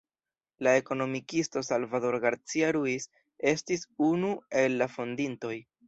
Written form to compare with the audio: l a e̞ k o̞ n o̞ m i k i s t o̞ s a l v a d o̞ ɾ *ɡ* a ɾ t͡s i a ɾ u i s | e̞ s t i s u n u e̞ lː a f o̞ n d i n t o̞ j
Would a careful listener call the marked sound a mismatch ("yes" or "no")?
no